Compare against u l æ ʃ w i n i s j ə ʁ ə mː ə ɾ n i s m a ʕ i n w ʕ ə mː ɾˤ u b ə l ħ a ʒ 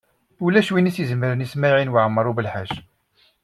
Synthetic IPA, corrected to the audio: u l æ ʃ w i n i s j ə z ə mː ə ɾ n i s m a ʕ i n w ʕ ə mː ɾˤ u b ə l ħ a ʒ